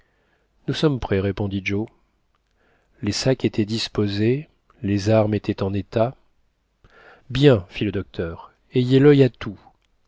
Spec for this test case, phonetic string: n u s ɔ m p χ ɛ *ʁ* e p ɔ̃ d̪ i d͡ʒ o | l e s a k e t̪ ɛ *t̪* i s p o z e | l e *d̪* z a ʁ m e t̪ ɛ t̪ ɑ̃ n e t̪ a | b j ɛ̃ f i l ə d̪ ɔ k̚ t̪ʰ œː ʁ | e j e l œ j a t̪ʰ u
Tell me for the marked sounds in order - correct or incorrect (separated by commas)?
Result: correct, incorrect, incorrect